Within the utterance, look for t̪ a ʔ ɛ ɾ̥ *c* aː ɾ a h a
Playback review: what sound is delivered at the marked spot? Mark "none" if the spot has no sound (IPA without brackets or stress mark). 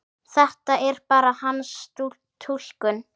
p